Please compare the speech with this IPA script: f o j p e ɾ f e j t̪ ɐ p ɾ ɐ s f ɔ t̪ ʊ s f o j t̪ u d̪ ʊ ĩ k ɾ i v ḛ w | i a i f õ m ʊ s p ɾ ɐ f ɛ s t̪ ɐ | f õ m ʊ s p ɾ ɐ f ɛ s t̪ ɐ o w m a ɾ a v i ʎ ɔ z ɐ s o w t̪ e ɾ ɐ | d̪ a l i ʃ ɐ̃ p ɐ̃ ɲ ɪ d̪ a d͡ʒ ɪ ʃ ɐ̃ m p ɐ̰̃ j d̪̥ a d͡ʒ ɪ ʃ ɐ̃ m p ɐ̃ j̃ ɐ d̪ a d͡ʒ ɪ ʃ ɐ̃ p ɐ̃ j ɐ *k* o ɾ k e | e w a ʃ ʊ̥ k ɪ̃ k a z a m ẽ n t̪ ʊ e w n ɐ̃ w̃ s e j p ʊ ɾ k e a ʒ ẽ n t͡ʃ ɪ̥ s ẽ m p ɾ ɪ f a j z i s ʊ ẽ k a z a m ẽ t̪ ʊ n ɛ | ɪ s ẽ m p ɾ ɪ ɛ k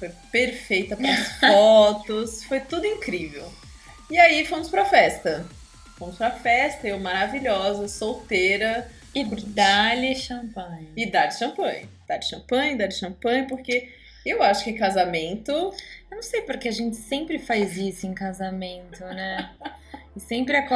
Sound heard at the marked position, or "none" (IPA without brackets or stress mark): p